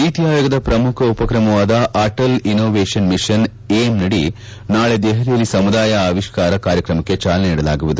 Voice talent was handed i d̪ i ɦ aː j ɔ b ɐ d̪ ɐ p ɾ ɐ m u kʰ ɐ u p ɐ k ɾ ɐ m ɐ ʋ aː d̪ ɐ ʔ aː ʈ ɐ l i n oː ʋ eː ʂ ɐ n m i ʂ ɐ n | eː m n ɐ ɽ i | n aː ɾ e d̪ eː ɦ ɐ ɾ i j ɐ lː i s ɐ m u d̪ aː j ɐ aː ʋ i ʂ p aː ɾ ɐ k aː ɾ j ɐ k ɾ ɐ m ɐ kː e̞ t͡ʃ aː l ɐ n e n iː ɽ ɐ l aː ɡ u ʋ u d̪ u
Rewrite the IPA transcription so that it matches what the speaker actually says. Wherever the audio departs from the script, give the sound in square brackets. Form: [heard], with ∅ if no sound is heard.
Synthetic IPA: i [t̪] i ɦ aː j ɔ [ɡ] ɐ d̪ ɐ p ɾ ɐ m u kʰ ɐ u p ɐ k ɾ ɐ m ɐ ʋ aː d̪ ɐ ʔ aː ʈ ɐ l i n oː ʋ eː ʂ ɐ n m i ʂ ɐ n | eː m n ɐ ɽ i | n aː [ɭ] e d̪ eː ɦ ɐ ɾ i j ɐ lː i s ɐ m u d̪ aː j ɐ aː ʋ i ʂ [k] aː ɾ ɐ k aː ɾ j ɐ k ɾ ɐ m ɐ kː e̞ t͡ʃ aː l ɐ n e n iː ɽ ɐ l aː ɡ u ʋ u d̪ u